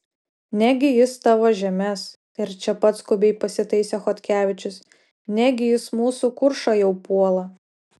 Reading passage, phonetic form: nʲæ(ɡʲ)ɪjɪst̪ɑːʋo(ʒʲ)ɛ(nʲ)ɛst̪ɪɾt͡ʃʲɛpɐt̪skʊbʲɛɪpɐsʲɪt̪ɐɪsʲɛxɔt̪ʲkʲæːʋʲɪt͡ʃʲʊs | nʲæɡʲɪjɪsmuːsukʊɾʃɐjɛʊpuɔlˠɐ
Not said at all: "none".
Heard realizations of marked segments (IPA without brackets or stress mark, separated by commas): ɡʲ, ʒʲ, mʲ